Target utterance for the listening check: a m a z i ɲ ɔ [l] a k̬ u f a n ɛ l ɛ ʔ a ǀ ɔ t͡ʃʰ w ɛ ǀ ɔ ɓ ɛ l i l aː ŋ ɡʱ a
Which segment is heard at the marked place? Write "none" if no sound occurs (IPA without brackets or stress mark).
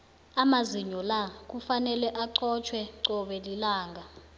l